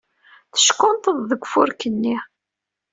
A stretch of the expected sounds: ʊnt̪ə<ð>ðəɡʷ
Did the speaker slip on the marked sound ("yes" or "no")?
no